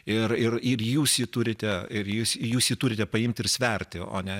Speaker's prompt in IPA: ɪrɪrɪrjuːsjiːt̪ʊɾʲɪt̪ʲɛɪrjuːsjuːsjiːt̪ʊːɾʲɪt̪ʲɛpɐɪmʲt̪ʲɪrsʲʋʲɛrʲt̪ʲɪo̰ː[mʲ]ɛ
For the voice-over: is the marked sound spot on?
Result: no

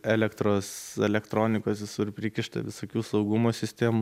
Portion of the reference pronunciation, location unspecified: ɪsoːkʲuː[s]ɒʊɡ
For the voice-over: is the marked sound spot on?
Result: yes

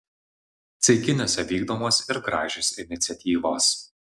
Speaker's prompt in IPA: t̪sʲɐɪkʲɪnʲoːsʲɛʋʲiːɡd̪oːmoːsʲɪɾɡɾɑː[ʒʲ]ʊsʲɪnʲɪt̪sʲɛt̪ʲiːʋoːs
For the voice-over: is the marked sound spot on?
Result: yes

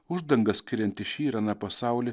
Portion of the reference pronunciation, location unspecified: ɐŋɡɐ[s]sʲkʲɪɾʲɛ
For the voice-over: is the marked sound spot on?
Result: yes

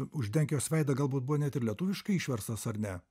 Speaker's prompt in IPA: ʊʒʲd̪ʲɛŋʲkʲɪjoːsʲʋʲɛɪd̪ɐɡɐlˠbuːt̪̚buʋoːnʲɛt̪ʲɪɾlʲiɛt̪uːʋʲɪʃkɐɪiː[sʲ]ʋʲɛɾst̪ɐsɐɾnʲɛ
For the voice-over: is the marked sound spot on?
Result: no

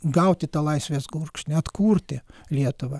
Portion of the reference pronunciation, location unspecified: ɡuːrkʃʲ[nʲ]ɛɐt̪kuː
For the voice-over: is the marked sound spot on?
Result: yes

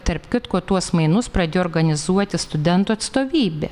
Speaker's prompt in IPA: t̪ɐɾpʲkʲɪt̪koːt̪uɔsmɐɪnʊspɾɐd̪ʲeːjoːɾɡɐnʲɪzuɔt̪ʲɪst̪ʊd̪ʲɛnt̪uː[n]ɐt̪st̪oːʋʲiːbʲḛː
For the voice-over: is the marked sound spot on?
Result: no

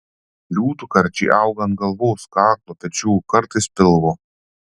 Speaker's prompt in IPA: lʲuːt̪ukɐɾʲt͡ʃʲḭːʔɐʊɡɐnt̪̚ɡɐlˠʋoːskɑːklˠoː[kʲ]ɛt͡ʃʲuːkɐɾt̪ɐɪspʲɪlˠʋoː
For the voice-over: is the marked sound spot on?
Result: no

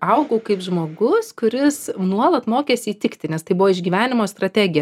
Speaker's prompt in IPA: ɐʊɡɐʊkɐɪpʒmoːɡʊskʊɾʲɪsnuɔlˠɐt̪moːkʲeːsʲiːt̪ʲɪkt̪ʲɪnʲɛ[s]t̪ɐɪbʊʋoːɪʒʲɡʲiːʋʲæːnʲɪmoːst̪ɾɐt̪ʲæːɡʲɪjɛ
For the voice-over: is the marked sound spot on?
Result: yes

